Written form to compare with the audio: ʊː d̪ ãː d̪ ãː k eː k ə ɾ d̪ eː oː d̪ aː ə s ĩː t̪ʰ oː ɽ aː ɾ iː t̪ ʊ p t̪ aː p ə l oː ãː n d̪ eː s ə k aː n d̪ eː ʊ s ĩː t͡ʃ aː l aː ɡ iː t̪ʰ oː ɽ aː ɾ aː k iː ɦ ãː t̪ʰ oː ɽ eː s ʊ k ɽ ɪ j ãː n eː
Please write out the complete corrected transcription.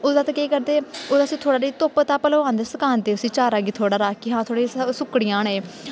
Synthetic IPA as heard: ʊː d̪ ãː t̪ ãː k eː k ə ɾ d̪ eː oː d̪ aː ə s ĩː t̪ʰ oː ɽ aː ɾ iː t̪ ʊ p t̪ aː p ə l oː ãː n d̪ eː s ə k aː n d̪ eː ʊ s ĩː t͡ʃ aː ɾ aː ɡ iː t̪ʰ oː ɽ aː ɾ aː k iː ɦ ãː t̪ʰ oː ɽ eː s ʊ k ɽ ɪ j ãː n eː